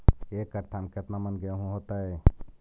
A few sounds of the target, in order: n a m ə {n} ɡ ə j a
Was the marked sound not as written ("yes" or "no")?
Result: no